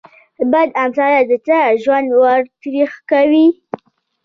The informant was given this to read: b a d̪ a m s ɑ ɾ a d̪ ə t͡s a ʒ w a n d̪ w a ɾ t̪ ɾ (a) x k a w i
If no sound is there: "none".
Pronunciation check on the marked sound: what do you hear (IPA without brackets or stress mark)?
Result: i